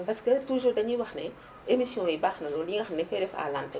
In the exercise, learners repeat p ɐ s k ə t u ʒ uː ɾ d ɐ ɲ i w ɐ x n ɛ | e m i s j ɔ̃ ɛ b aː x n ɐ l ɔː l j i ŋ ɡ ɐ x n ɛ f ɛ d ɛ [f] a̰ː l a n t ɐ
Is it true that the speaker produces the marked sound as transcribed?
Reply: yes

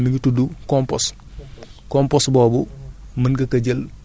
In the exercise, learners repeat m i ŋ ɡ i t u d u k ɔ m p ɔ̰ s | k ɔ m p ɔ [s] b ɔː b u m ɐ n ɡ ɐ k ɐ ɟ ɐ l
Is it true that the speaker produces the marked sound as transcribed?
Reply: yes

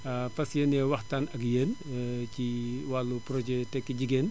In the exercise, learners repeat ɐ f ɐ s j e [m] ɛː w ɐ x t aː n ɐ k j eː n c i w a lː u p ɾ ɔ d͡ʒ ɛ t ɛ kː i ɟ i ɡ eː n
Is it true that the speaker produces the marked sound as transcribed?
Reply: no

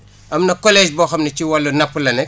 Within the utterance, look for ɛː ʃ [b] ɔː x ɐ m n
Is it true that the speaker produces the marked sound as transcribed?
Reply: yes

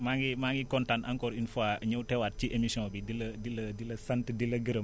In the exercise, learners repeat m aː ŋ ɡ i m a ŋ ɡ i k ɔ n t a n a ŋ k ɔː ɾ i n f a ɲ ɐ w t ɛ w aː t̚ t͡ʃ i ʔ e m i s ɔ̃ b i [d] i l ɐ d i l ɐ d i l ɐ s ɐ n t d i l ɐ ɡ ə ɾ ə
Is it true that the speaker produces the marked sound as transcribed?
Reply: yes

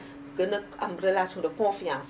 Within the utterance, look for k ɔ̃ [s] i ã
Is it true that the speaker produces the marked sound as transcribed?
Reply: no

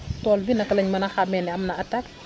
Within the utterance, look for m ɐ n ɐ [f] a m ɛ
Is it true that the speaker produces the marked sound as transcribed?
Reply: no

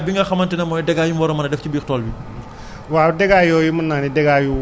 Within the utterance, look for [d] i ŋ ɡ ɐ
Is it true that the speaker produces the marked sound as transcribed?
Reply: no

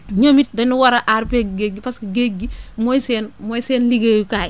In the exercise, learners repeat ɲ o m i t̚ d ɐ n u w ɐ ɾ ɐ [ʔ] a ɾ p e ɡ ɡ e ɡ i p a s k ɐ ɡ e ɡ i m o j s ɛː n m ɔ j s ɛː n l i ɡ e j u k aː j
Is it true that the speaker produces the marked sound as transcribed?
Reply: yes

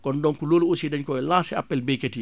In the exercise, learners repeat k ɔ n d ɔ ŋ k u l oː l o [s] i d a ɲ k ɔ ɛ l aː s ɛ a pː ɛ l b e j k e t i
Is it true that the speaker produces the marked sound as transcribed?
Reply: yes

